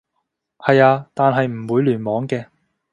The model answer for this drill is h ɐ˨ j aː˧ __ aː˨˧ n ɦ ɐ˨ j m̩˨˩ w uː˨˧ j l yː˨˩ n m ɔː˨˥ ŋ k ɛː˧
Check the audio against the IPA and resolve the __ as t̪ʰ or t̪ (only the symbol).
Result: t̪